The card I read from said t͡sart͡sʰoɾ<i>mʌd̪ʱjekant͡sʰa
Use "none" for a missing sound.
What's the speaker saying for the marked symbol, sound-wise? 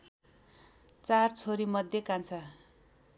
i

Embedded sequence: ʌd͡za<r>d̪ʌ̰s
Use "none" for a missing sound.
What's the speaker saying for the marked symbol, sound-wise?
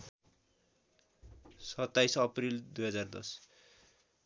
r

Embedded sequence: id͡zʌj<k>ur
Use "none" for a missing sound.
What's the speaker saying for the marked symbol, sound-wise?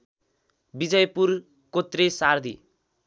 p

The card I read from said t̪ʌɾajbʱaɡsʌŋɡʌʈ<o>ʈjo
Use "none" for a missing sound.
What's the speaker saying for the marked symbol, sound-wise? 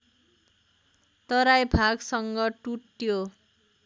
u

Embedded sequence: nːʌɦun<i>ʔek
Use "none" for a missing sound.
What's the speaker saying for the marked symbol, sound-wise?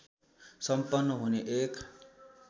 e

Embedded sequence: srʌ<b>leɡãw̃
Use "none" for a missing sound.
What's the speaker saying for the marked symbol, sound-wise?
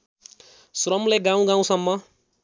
m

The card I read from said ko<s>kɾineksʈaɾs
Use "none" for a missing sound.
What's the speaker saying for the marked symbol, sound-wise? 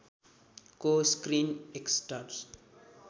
s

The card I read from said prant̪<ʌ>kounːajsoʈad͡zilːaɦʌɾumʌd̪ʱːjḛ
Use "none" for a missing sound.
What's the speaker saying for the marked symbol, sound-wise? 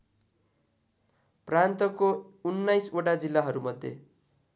ʌ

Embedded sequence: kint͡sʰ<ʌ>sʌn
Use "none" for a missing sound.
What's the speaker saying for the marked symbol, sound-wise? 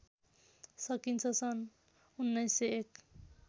ʌ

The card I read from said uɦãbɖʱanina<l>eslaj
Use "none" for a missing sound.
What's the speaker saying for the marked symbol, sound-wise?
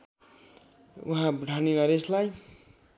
ɾ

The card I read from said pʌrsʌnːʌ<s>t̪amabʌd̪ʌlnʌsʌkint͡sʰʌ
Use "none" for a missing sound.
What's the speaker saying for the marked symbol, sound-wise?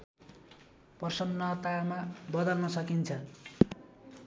none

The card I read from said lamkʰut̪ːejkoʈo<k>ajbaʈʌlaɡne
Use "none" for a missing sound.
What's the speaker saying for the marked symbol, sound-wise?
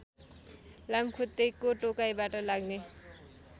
k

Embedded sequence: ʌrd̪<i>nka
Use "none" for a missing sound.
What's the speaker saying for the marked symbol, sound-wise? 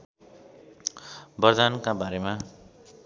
a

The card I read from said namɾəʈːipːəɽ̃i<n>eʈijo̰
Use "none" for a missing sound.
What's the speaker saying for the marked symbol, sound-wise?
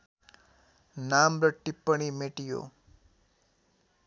m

